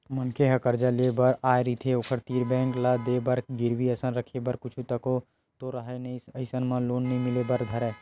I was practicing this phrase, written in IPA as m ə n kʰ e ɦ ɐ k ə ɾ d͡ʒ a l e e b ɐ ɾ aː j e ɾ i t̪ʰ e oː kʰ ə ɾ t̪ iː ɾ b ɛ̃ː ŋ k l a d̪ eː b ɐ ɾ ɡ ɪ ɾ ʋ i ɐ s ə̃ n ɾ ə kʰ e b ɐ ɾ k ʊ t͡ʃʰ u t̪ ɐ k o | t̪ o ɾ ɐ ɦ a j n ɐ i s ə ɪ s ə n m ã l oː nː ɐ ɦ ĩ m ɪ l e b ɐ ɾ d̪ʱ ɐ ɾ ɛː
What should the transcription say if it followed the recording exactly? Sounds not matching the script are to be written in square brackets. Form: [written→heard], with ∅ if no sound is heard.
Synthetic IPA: m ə n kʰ e ɦ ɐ k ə ɾ d͡ʒ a l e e b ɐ ɾ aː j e ɾ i t̪ʰ e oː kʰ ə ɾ t̪ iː ɾ b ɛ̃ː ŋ k l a d̪ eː b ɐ ɾ ɡ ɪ ɾ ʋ i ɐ s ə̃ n ɾ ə kʰ e b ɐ ɾ k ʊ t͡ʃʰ u t̪ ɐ k o | t̪ o ɾ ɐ ɦ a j n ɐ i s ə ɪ s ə n m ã l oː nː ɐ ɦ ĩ m ɪ l e b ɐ ɾ d̪ʱ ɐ ɾ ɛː